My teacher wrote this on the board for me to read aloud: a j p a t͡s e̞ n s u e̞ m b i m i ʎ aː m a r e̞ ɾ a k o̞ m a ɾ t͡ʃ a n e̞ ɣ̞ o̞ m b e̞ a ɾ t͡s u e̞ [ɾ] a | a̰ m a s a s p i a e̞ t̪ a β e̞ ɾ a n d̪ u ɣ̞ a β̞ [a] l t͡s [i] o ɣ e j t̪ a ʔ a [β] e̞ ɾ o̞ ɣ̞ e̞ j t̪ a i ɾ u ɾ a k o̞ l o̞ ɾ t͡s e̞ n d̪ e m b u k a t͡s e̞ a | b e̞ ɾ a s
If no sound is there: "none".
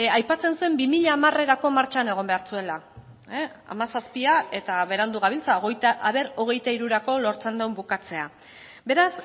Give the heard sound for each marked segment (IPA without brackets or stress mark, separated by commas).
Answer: l, i, a, β